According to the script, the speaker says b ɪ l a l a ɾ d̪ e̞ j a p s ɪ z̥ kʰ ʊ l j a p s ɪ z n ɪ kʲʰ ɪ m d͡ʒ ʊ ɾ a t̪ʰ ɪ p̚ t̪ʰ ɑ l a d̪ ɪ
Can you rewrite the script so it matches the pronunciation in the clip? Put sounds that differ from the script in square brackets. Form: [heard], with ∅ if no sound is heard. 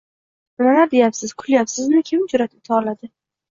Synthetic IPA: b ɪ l a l a ɾ d̪ e̞ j a p s ɪ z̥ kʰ ʊ l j a p s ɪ z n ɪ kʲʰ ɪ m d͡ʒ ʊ ɾ a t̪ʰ ɪ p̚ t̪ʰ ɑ l a d̪ ɪ